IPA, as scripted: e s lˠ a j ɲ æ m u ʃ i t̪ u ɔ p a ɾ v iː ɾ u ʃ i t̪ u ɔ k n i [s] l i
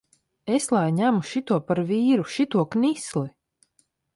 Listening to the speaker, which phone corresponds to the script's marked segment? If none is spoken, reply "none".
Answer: s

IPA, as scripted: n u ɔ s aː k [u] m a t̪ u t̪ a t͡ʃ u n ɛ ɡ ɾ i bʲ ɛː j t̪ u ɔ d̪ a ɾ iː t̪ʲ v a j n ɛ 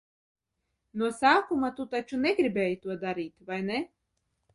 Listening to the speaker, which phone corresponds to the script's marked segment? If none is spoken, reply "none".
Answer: u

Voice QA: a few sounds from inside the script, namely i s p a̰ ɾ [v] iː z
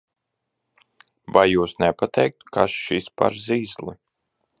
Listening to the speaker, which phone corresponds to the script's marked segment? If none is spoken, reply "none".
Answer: z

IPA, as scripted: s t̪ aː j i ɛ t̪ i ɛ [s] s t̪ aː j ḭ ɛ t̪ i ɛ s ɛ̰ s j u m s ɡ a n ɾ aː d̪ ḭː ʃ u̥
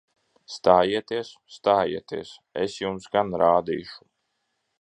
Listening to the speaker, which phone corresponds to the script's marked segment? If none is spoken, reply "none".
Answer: s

